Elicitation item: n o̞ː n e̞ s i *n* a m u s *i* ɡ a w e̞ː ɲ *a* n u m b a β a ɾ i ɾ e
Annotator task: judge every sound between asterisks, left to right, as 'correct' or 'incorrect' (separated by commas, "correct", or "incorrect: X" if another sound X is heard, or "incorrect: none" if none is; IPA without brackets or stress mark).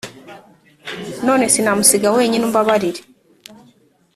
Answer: correct, correct, incorrect: i